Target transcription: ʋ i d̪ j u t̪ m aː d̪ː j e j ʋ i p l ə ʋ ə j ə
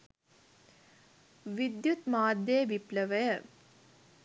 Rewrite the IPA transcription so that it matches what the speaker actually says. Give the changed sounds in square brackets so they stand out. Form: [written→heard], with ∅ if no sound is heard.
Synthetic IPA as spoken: ʋ i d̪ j u t̪ m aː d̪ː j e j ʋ i p l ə ʋ ə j ə